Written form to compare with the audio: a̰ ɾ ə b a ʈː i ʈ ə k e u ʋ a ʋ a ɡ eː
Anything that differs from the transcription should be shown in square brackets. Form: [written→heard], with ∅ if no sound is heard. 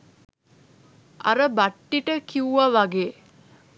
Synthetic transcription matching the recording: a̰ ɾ ə b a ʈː i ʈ ə k [e→i] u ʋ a ʋ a ɡ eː